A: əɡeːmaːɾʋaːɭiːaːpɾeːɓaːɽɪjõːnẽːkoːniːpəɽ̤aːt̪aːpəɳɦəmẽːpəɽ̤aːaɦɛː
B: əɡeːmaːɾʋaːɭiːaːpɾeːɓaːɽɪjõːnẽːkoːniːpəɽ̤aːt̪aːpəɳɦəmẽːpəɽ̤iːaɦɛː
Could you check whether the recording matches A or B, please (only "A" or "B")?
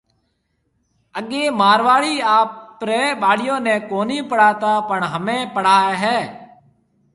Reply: A